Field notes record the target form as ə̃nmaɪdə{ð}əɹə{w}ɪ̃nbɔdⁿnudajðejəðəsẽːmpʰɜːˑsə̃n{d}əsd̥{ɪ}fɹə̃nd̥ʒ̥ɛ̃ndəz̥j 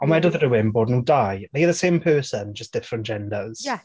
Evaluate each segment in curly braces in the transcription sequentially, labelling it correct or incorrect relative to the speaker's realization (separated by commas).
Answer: correct, correct, incorrect, correct